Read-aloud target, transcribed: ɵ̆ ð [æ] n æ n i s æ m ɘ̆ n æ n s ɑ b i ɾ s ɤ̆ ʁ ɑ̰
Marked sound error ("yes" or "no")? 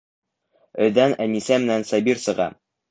no